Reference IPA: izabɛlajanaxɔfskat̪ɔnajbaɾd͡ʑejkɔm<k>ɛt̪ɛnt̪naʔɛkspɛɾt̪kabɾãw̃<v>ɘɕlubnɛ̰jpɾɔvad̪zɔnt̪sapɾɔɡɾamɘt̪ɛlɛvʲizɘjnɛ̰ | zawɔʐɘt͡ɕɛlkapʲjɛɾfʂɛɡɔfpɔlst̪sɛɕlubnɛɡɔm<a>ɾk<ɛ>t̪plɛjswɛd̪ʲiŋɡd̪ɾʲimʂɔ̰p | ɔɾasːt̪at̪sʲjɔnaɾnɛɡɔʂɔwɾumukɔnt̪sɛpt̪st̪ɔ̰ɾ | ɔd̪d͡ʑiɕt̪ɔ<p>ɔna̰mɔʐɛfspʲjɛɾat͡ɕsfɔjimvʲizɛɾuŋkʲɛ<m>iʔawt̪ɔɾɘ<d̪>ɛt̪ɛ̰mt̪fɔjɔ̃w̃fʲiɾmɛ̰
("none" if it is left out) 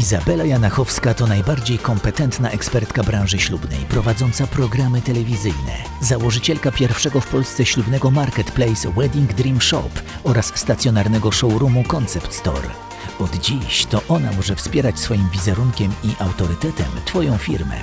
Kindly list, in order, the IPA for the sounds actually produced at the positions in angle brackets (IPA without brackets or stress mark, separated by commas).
p, ʐ, a, ɛ, ʔ, m, t̪